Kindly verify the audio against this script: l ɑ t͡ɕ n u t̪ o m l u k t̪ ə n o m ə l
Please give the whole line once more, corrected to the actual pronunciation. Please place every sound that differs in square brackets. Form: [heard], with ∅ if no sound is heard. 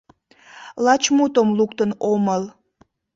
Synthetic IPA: l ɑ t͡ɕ [m] u t̪ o m l u k t̪ ə n o m ə l